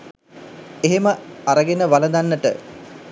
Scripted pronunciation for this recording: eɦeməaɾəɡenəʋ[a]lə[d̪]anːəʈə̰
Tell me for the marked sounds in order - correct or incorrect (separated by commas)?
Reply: correct, correct